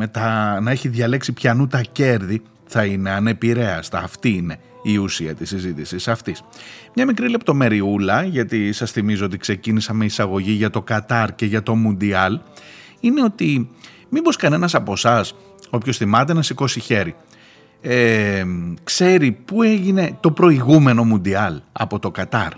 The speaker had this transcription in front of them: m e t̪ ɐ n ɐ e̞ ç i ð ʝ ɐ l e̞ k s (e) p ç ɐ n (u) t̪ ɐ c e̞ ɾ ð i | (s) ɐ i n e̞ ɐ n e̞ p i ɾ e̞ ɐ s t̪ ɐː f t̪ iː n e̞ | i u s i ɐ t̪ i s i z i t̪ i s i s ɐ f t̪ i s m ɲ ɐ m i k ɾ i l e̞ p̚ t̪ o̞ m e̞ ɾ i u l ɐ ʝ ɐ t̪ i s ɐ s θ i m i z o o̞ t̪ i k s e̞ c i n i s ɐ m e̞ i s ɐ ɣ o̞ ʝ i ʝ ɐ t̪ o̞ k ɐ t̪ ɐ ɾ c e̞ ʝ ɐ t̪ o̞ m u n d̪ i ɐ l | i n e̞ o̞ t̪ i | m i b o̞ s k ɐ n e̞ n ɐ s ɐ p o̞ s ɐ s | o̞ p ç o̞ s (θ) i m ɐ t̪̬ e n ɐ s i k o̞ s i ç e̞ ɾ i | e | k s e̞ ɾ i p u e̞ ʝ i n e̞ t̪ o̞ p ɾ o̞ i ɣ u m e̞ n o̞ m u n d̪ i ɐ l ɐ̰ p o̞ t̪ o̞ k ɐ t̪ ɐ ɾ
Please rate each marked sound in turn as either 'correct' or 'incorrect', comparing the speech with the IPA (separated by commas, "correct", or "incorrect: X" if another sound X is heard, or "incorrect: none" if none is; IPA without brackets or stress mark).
incorrect: i, correct, incorrect: θ, correct